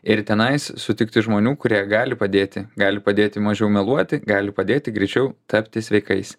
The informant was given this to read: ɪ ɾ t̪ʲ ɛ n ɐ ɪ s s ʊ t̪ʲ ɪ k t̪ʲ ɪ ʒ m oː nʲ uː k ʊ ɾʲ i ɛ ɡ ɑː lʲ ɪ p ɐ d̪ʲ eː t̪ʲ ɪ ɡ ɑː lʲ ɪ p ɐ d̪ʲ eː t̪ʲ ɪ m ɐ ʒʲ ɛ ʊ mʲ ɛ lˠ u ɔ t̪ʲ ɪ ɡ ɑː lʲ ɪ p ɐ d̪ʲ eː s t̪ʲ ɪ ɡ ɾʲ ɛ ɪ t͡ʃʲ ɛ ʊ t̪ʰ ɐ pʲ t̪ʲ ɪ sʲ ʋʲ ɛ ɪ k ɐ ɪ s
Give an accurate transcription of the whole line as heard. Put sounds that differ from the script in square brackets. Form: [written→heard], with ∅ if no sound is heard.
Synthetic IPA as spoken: ɪ ɾ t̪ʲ ɛ n ɐ ɪ s s ʊ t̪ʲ ɪ k t̪ʲ ɪ ʒ m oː nʲ uː k ʊ ɾʲ i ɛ ɡ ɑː lʲ ɪ p ɐ d̪ʲ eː t̪ʲ ɪ ɡ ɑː lʲ ɪ p ɐ d̪ʲ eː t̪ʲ ɪ m ɐ ʒʲ ɛ ʊ mʲ ɛ lˠ u ɔ t̪ʲ ɪ ɡ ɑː lʲ ɪ p ɐ d̪ʲ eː [s→∅] t̪ʲ ɪ ɡ ɾʲ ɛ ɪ t͡ʃʲ ɛ ʊ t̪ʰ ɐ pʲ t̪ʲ ɪ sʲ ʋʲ ɛ ɪ k ɐ ɪ s